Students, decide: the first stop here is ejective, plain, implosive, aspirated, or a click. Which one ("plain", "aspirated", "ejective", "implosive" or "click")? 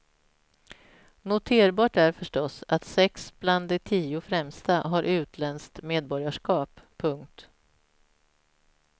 aspirated